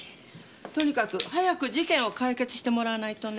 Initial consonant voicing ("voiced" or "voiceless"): voiceless